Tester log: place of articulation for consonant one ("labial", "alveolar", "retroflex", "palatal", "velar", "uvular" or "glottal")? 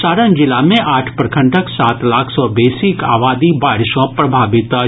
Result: alveolar